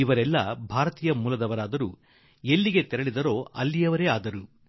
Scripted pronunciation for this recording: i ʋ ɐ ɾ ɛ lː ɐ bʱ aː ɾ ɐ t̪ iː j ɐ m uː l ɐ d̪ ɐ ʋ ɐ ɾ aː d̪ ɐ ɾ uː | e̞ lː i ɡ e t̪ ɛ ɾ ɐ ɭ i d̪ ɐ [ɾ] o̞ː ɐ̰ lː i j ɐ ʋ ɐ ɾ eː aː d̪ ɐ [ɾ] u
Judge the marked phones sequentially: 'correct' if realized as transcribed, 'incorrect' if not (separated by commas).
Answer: correct, correct